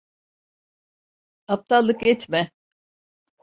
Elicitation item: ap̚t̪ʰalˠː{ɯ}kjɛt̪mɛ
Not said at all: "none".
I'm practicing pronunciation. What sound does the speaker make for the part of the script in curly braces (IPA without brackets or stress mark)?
ɯ